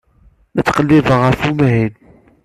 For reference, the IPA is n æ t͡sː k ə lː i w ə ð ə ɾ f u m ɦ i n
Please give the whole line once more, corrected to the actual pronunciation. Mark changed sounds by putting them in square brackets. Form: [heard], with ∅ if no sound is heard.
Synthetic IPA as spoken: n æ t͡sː [q] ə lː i [v] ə [ʁ] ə ɾ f u m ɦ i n

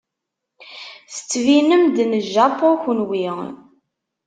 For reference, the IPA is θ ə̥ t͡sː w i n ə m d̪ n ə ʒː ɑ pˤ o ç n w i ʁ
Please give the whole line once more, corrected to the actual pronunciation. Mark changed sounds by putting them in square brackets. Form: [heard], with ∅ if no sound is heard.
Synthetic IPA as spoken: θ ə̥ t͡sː [v] i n ə m d̪ n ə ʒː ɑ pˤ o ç n w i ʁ

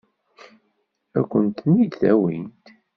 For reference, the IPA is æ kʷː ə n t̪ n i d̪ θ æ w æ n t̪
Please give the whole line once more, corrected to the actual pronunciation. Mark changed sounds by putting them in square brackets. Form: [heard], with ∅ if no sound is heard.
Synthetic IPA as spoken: æ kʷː ə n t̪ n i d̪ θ æ w [i] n t̪

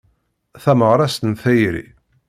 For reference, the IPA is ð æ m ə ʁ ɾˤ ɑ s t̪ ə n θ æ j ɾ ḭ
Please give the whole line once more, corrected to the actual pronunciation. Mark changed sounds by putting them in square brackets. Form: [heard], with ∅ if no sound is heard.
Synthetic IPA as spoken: [θ] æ m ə ʁ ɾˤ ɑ s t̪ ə n θ æ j ɾ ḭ

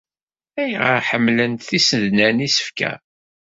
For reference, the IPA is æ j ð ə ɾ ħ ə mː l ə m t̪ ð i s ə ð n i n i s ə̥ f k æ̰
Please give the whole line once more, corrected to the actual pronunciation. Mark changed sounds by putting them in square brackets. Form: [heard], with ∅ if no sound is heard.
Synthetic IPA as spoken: æ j [ʁ] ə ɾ ħ ə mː l ə [n] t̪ [θ] i s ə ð n [æ] n i s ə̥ f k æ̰

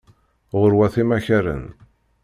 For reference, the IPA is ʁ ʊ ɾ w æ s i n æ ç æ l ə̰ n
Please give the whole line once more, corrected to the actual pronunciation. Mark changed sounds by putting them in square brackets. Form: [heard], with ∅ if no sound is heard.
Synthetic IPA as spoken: ʁ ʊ ɾ w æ [θ] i [m] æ ç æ [ɾ] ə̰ n

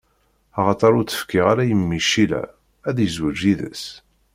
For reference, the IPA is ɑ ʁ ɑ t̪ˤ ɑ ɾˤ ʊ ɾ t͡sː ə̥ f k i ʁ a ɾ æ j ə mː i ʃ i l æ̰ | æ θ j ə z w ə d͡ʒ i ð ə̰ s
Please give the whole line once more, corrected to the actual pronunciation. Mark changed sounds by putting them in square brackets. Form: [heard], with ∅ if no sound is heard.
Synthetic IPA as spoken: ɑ ʁ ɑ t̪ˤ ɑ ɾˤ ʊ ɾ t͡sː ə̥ f k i ʁ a ɾ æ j ə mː i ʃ i l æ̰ | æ [ð] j ə z w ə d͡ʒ i ð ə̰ s

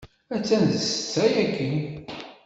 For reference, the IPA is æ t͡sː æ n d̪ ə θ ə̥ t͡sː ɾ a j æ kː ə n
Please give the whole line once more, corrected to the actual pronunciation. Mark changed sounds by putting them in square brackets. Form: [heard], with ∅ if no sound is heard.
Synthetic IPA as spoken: æ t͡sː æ n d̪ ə [s] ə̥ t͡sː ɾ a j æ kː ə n

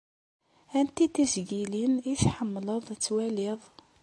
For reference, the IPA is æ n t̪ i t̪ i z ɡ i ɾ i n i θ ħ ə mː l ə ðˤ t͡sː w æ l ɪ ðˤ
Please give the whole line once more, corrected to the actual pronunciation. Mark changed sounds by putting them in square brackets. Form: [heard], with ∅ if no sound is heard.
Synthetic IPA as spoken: æ n t̪ i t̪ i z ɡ i [l] i n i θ ħ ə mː l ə ðˤ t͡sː w æ l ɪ ðˤ

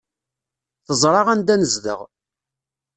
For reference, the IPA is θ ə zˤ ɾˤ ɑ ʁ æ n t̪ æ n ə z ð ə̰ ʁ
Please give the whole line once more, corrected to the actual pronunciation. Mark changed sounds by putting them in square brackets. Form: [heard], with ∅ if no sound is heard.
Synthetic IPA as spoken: θ ə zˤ ɾˤ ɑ ʁ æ n [d̪] æ n ə z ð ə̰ ʁ

